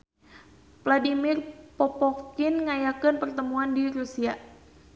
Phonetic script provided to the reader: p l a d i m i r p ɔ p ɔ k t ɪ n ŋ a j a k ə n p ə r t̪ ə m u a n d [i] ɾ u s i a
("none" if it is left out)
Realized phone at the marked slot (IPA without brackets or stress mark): i